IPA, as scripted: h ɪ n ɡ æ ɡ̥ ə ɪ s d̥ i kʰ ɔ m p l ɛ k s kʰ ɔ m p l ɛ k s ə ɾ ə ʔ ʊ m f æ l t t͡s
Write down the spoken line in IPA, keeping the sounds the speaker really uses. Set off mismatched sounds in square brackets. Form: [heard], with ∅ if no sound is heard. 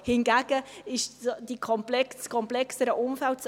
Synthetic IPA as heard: h ɪ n ɡ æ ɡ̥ ə ɪ [ʃ] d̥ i kʰ ɔ m p l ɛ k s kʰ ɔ m p l ɛ k s ə ɾ ə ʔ ʊ m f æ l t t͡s